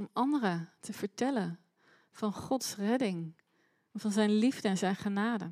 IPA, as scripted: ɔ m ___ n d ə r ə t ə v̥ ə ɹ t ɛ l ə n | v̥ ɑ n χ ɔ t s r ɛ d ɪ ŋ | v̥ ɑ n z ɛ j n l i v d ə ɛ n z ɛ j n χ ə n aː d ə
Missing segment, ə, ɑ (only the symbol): ɑ